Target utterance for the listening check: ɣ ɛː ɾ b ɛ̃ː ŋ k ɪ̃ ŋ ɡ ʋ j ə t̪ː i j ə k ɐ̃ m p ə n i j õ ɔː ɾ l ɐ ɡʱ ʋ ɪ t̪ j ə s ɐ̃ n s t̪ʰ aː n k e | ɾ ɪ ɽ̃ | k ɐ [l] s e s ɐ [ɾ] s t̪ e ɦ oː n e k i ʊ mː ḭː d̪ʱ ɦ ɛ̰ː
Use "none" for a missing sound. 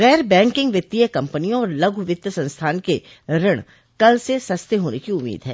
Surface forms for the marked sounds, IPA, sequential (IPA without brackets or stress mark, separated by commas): l, none